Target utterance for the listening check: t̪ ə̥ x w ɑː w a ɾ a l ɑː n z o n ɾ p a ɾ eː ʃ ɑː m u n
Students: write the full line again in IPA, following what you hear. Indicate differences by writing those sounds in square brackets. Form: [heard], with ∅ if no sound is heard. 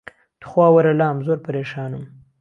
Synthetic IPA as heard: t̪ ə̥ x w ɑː w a ɾ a l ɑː [m] z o [∅] ɾ p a ɾ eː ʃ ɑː [n] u [m]